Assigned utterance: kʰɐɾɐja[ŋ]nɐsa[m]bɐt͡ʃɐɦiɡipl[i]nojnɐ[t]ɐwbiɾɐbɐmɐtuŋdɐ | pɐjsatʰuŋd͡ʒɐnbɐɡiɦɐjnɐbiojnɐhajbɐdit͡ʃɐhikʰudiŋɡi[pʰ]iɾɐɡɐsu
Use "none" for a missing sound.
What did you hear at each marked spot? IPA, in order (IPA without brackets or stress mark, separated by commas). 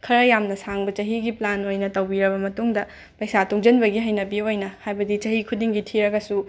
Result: m, ŋ, a, t, tʰ